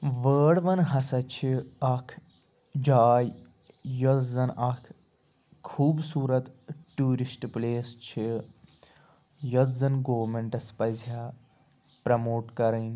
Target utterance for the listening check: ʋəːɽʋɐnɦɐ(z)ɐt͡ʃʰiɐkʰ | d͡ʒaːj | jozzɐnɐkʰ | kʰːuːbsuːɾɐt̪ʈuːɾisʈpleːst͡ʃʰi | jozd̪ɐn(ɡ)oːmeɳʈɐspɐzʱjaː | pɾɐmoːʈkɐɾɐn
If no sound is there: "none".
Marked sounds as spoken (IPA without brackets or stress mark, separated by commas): s, ɡ